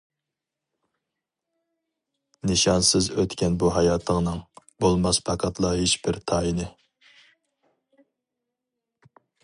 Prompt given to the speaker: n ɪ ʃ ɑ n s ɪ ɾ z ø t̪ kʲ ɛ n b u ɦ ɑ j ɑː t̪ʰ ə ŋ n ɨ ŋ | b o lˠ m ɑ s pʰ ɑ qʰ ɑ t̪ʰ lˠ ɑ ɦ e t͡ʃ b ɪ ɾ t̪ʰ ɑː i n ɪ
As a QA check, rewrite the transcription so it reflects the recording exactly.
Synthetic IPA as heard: n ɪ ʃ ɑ n s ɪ z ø t̪ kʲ ɛ n b u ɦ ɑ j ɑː t̪ʰ ə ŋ n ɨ ŋ | b o lˠ m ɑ s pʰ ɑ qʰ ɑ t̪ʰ lˠ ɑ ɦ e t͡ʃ b ɪ ɾ t̪ʰ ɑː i n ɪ

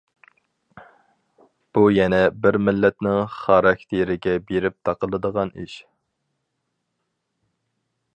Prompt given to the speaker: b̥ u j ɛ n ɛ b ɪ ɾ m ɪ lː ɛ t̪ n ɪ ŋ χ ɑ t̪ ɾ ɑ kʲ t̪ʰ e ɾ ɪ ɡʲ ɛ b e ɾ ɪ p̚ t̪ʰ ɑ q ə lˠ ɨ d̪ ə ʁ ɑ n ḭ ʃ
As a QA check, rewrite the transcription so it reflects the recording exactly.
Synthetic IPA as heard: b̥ u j ɛ n ɛ b ɪ ɾ m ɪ lː ɛ t̪ n ɪ ŋ χ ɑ ɾ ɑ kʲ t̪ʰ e ɾ ɪ ɡʲ ɛ b e ɾ ɪ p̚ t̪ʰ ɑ q ə lˠ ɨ d̪ ə ʁ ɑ n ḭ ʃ

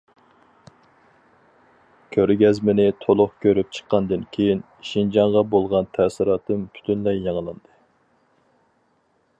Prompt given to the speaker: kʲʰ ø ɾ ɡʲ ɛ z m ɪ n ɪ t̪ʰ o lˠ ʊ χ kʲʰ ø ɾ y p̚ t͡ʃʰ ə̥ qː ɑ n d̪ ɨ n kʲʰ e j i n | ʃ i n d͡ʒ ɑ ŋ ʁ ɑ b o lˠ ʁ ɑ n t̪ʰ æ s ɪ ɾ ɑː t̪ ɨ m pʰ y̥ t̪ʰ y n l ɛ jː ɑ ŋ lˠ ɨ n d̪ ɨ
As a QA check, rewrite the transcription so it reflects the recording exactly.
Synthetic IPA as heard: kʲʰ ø ɾ ɡʲ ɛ z m ɪ n ɪ t̪ʰ o lˠ ʊ χ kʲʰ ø ɾ y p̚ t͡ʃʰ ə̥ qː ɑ n d̪ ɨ n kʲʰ e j i n | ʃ i n d͡ʒ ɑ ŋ ʁ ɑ b o lˠ ʁ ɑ n t̪ʰ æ s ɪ ɾ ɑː t̪ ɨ m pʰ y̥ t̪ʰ y n l ɛ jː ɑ ŋ lˠ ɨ n d̪ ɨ

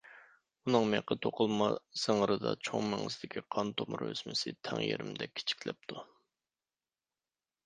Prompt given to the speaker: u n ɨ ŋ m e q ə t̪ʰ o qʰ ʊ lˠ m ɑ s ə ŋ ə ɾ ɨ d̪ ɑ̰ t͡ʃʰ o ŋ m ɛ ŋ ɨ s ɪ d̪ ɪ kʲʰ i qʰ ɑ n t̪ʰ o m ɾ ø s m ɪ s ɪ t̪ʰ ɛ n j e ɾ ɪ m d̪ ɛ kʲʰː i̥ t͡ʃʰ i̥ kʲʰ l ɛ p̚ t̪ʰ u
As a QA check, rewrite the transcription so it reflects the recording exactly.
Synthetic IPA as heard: u n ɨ ŋ m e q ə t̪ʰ o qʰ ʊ lˠ m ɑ s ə ŋ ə ɾ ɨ d̪ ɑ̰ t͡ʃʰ o ŋ m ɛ ŋ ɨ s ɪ d̪ ɪ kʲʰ i qʰ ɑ n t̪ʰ o m ɾ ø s m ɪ s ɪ t̪ʰ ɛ ŋ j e ɾ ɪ m d̪ ɛ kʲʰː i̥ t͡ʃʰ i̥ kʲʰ l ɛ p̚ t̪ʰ u

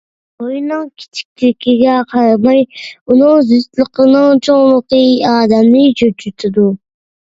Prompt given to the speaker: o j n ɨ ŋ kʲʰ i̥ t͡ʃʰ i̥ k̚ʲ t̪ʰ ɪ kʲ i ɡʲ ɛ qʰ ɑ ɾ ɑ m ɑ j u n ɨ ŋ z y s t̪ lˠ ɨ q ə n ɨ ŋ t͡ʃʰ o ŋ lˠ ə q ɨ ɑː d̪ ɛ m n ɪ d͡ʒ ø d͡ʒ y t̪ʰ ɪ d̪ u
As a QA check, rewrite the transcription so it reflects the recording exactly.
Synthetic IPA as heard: o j n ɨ ŋ kʲʰ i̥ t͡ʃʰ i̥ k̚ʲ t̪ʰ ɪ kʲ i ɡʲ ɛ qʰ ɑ ɾ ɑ m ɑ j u n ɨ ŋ z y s t̪ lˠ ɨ q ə n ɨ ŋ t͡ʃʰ o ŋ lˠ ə q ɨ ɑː d̪ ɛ m n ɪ d͡ʒ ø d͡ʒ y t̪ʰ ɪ d̪ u

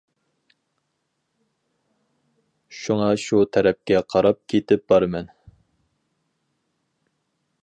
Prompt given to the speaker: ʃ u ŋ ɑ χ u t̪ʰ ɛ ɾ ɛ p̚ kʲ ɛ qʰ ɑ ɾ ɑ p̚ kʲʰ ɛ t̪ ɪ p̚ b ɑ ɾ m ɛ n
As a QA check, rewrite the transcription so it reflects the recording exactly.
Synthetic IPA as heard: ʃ u ŋ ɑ ʃ u t̪ʰ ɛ ɾ ɛ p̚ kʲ ɛ qʰ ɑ ɾ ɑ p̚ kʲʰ e t̪ ɪ p̚ b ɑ ɾ m ɛ n

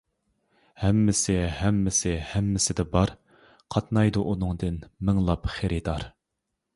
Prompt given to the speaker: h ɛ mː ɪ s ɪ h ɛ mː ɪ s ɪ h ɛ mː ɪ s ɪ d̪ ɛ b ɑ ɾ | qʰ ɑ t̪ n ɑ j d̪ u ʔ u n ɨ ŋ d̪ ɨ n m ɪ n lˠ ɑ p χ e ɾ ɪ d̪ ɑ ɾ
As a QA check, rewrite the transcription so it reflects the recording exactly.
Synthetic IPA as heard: h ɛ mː ɪ s ɪ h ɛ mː ɪ s ɪ h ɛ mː ɪ s ɪ d̪ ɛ b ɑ ɾ | qʰ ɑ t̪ n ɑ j d̪ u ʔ u n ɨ ŋ d̪ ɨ n m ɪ ŋ lˠ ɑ p χ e ɾ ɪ d̪ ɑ ɾ

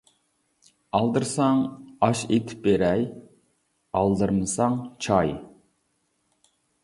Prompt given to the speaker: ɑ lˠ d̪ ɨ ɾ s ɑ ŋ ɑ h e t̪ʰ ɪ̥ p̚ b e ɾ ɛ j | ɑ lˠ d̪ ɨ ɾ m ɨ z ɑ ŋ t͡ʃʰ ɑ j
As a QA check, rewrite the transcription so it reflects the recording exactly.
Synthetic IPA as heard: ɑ lˠ d̪ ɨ ɾ s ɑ ŋ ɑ ʃ e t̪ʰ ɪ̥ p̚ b e ɾ ɛ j | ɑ lˠ d̪ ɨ ɾ m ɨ s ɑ ŋ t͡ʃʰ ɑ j

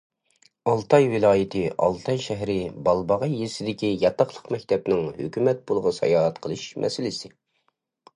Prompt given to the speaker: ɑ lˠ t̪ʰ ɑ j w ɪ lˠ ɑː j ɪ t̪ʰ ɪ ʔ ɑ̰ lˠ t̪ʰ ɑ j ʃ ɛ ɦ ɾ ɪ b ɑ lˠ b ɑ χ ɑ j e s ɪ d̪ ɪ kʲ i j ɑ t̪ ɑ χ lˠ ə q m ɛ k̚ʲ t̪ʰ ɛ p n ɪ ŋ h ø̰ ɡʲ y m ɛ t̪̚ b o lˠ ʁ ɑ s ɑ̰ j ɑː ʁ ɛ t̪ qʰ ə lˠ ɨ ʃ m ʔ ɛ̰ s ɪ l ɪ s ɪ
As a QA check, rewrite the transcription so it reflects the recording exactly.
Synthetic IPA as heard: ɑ lˠ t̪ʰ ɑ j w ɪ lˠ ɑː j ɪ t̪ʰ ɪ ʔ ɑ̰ lˠ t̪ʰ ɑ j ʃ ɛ ɦ ɾ ɪ b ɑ lˠ b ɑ ʁ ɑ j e s ɪ d̪ ɪ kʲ i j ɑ t̪ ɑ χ lˠ ə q m ɛ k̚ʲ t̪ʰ ɛ p n ɪ ŋ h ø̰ kʲ y m ɛ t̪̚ b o lˠ ʁ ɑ s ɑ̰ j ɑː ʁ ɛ t̪ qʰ ə lˠ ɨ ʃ m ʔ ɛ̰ s ɪ l ɪ s ɪ

